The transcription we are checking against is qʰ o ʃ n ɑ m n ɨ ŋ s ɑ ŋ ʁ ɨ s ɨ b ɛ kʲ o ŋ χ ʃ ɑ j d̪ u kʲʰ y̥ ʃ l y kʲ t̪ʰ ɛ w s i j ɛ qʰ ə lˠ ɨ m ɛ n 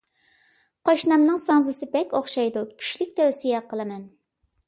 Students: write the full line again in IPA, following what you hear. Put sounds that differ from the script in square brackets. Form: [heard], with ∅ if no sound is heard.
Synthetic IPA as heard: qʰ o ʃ n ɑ m n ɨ ŋ s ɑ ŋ [z] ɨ s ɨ b ɛ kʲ o [∅] χ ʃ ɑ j d̪ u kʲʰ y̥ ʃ l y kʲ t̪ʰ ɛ w s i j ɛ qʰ ə lˠ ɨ m ɛ n